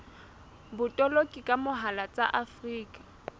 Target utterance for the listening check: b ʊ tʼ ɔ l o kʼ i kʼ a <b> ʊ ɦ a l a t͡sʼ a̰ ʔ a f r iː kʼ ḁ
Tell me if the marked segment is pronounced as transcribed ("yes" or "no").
no